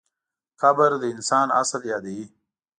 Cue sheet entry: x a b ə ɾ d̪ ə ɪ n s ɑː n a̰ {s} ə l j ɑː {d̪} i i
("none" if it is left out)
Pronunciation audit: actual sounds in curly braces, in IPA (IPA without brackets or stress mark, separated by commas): s, d̪